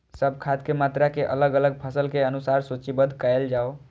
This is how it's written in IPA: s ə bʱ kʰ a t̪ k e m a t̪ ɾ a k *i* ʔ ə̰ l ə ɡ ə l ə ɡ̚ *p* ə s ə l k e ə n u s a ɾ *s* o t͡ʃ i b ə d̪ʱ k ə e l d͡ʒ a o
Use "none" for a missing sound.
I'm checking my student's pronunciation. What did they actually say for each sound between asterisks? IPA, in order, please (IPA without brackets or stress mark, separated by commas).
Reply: e, pʰ, s